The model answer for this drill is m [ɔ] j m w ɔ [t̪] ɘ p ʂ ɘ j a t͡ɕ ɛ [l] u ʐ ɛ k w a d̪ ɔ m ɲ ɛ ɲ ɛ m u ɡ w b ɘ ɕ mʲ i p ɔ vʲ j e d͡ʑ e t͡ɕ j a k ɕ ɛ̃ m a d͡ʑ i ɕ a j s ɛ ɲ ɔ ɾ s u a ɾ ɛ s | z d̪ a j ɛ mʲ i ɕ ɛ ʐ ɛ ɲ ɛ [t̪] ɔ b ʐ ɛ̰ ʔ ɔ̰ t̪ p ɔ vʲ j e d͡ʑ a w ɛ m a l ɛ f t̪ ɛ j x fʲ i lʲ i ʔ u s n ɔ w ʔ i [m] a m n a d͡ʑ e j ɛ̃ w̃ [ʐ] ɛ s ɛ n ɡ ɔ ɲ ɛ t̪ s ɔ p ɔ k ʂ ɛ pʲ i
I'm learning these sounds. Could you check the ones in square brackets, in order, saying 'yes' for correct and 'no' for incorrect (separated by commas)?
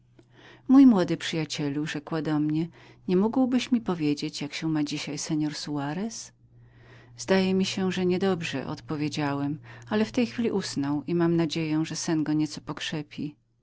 no, no, yes, no, yes, yes